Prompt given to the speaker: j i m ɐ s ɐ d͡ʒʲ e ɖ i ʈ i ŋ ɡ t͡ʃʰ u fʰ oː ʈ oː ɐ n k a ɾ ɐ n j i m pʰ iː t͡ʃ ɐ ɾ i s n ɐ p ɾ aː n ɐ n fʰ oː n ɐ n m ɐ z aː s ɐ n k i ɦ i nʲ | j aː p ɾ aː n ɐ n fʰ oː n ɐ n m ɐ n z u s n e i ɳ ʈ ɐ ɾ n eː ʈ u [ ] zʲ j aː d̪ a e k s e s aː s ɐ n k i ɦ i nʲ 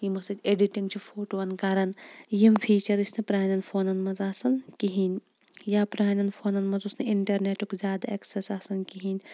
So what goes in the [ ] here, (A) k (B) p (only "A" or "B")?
A